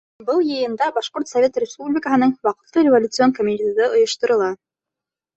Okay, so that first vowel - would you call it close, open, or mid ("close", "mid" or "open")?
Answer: mid